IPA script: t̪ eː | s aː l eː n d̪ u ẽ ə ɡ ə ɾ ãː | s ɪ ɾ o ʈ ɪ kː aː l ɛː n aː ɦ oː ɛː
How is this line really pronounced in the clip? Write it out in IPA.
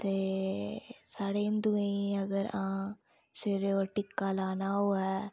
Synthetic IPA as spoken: t̪ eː | s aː ɽ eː n d̪ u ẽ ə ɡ ə ɾ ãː | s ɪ ɾ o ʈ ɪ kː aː l aː n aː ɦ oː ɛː